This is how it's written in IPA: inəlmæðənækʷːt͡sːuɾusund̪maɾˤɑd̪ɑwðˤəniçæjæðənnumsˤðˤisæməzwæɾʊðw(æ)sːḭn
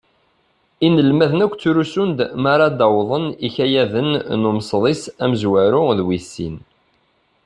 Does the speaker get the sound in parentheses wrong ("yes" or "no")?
yes